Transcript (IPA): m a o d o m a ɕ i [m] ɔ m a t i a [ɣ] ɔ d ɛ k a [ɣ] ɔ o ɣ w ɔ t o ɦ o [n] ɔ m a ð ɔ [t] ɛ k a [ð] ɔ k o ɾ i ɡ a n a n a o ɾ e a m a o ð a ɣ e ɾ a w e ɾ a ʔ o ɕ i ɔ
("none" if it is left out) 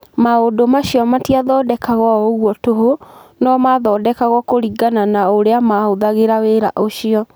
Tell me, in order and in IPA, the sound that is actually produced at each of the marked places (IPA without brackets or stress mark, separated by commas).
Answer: none, ð, ɣ, n, d, ɣ